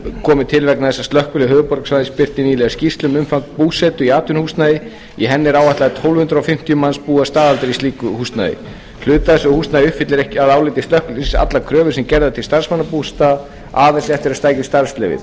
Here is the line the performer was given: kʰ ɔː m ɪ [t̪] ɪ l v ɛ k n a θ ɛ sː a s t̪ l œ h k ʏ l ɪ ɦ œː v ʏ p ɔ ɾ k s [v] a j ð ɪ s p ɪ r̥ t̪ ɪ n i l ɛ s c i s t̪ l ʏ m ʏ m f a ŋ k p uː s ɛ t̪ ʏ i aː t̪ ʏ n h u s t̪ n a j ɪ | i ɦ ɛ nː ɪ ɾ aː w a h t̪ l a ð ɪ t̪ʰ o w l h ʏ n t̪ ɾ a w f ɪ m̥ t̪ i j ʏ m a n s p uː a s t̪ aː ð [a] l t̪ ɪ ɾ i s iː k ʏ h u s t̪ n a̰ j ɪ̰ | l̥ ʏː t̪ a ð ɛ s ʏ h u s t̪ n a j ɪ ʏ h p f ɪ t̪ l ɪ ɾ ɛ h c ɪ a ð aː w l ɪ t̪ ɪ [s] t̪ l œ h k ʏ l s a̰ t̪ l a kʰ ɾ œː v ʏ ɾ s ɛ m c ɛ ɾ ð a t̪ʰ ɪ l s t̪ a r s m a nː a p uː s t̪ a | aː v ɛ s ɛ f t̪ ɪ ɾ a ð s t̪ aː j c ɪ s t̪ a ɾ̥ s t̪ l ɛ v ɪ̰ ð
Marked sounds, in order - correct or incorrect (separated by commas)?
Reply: incorrect, correct, correct, correct